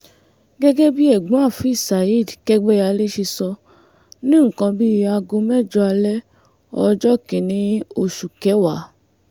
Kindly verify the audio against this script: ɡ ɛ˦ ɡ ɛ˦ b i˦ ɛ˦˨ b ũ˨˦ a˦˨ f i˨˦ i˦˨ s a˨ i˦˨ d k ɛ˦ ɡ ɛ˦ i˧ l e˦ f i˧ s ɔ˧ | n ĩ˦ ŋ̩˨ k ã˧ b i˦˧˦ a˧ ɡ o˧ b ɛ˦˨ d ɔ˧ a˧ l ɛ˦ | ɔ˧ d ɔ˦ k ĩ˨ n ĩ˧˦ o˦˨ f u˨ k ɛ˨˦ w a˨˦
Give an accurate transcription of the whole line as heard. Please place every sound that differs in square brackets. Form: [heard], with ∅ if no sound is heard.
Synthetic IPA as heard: ɡ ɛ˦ ɡ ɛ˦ b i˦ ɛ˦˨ [ɡ͡b] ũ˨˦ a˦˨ f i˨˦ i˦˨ s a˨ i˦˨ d k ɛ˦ [ɡ͡b] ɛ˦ [a˧] l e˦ [ʃ] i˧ s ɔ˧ | n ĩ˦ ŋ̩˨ k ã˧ b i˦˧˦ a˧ ɡ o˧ [m] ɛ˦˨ [d͡ʒ] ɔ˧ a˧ l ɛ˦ | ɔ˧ [d͡ʒ] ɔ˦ k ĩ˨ n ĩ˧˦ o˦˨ [ʃ] u˨ k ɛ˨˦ w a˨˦